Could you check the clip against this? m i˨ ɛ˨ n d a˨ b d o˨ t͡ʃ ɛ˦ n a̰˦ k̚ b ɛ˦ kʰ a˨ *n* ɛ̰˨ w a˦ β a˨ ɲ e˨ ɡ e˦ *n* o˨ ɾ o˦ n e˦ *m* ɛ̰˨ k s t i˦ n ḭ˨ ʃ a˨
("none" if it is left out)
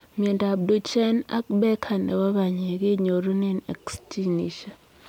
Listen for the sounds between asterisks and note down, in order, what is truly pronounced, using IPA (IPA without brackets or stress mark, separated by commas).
n, ɲ, n